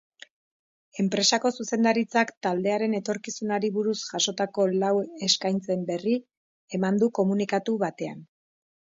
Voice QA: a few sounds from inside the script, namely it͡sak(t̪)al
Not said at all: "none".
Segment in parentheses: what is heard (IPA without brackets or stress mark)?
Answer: t̪